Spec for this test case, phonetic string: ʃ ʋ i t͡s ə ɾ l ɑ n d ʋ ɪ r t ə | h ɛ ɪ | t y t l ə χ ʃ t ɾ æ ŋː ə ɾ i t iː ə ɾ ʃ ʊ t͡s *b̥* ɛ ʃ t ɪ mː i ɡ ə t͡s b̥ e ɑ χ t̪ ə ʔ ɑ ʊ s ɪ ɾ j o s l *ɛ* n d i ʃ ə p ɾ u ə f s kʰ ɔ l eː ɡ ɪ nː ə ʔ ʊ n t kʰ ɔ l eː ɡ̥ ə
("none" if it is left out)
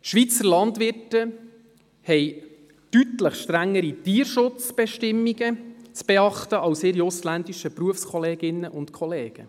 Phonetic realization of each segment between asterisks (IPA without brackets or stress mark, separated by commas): b̥, æ